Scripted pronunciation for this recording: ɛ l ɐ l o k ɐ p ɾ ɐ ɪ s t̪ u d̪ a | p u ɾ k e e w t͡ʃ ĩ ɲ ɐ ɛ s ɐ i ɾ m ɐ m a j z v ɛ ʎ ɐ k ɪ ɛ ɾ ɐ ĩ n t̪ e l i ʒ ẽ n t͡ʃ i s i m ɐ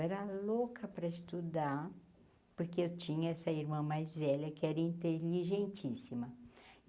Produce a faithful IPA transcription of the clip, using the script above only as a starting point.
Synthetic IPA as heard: ɛ ɾ ɐ l o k ɐ p ɾ ɐ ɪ s t̪ u d̪ a | p o ɾ k e e w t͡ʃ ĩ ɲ ɐ ɛ s ɐ i ɾ m ɐ̃ m a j z v ɛ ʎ ɐ k ɪ ɛ ɾ ɐ ĩ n t̪ e l i ʒ ẽ n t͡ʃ i s i m ɐ

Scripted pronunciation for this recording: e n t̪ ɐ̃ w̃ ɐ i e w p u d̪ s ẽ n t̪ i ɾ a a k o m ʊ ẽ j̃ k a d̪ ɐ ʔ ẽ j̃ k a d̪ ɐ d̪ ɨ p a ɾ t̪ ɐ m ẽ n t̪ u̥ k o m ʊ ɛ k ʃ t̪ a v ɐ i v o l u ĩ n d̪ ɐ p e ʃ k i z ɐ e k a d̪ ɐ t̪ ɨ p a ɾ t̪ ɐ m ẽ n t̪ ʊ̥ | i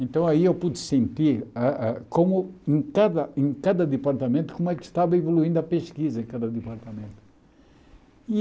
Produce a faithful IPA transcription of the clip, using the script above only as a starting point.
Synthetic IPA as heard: ẽ n t̪ ɐ̃ w̃ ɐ i e w p u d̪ s ẽ n t̪ i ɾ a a k o m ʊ ẽ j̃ k a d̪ ɐ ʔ ẽ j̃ k a d̪ ɐ d̪ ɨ p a ɾ t̪ ɐ m ẽ n t̪ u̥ k o m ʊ ɛ k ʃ t̪ a v ɐ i v o l u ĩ n d̪ ɐ p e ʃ k i z ɐ ẽ k a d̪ ɐ d̪ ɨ p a ɾ t̪ ɐ m ẽ n t̪ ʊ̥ | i

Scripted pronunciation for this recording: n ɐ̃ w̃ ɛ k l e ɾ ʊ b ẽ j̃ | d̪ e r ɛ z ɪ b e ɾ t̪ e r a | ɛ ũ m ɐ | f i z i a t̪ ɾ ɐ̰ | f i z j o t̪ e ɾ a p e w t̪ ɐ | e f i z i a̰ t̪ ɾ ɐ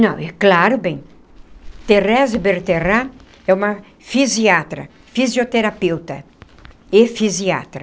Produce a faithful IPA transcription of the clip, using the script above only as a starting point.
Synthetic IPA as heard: n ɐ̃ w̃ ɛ k l a ɾ ʊ b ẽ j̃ | t̪ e r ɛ z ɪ b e ɾ t̪ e r a | ɛ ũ m ɐ | f i z i a t̪ ɾ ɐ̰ | f i z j o t̪ e ɾ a p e w t̪ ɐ | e f i z i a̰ t̪ ɾ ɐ

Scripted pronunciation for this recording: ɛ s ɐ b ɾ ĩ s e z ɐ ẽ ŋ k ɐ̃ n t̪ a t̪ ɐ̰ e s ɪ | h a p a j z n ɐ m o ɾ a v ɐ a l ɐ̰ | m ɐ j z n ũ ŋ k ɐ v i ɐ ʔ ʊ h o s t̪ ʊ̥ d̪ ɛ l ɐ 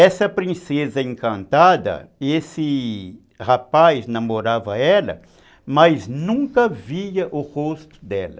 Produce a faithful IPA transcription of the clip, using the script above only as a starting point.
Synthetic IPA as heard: ɛ s ɐ p ɾ ĩ s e z ɐ ẽ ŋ k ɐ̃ n t̪ a d̪ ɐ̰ e s ɪ | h a p a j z n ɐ m o ɾ a v ɐ ɛ l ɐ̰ | m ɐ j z n ũ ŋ k ɐ v i ɐ ʔ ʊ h o s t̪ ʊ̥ d̪ ɛ l ɐ

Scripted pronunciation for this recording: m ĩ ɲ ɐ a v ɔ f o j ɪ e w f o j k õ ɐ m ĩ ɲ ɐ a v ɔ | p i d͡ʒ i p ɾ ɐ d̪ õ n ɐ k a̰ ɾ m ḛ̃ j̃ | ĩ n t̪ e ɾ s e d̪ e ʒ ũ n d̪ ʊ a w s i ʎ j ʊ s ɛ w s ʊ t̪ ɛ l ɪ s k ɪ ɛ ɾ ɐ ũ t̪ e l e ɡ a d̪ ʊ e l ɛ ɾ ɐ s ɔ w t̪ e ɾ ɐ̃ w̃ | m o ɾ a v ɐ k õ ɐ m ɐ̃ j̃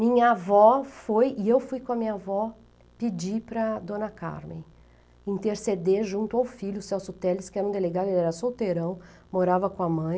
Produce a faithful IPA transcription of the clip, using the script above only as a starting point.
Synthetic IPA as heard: m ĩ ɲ ɐ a v ɔ f o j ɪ e w f u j k õ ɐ m ĩ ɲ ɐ a v ɔ | p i d͡ʒ i p ɾ ɐ d̪ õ n ɐ k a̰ ɾ m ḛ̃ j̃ | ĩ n t̪ e ɾ s e d̪ e ʒ ũ n t̪ ʊ a w f i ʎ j ʊ s ɛ w s ʊ t̪ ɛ l ɪ s k ɪ ɛ ɾ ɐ ũ d̪ e l e ɡ a d̪ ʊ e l ɛ ɾ ɐ s o w t̪ e ɾ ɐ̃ w̃ | m o ɾ a v ɐ k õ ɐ m ɐ̃ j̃

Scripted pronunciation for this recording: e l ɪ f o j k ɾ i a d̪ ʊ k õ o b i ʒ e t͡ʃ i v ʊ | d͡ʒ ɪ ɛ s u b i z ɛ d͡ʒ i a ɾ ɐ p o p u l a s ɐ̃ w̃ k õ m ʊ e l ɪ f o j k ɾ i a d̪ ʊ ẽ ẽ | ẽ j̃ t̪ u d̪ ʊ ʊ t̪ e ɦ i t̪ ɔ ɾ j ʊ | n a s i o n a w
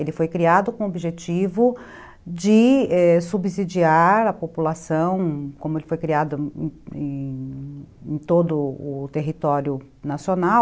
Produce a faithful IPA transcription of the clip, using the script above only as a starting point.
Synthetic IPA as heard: e l ɪ f o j k ɾ i a d̪ ʊ k õ o b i ʒ e t͡ʃ i v ʊ | d͡ʒ ɪ ɛ s u b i z i d͡ʒ i a ɾ ɐ p o p u l a s ɐ̃ w̃ k õ m ʊ e l ɪ f o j k ɾ i a d̪ ʊ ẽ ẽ | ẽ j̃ t̪ o d̪ ʊ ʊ t̪ e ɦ i t̪ ɔ ɾ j ʊ | n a s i o n a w

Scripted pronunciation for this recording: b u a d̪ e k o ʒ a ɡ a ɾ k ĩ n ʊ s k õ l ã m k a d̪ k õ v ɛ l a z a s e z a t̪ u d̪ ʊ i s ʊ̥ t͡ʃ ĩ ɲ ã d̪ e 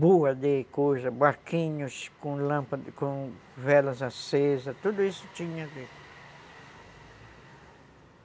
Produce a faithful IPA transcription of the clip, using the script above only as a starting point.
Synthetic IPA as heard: b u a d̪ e k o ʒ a b a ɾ k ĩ ɲ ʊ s k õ l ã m p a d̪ k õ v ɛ l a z a s e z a t̪ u d̪ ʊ i s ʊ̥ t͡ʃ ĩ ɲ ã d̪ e

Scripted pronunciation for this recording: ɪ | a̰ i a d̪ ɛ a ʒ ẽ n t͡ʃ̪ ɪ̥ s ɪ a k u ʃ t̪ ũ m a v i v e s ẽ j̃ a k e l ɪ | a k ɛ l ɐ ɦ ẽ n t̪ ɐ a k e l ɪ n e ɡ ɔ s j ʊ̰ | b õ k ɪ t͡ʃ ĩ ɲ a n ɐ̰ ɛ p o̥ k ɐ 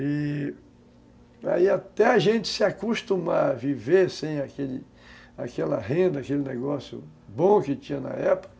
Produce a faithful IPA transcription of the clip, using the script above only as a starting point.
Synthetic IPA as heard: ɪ | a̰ i a t̪ ɛ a ʒ ẽ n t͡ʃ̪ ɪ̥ s ɪ a k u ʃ t̪ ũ m a v i v e s ẽ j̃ a k e l ɪ | a k ɛ l ɐ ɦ ẽ n d̪ ɐ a k e l ɪ n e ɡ ɔ s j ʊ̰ | b õ k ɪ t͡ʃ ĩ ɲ ɐ n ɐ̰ ɛ p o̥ k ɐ

